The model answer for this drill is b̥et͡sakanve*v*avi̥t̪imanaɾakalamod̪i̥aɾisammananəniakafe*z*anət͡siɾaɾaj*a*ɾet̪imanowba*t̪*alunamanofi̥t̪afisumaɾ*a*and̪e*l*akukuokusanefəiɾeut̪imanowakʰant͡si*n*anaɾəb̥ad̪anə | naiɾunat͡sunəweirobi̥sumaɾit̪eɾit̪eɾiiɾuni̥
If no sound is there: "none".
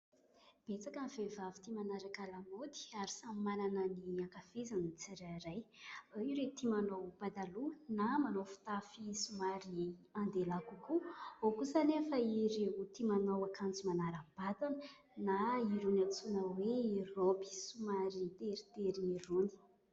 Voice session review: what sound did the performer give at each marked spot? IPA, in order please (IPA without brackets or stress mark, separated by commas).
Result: v, z, i, d̪, i, l, m